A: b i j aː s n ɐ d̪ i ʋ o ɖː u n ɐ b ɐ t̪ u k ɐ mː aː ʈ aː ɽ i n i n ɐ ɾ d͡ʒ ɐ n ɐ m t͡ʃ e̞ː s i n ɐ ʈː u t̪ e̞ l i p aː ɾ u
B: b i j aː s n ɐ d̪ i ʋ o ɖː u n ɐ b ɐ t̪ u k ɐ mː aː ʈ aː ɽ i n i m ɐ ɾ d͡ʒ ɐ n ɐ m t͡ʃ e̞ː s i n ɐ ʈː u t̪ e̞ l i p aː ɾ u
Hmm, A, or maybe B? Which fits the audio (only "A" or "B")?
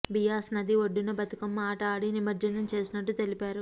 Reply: B